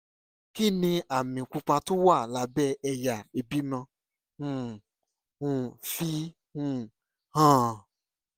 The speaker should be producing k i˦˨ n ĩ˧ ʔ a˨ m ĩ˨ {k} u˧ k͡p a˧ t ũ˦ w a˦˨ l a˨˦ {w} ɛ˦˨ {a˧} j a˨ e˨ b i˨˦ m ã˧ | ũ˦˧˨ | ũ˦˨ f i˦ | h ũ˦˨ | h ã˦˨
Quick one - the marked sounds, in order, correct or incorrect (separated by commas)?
correct, incorrect, incorrect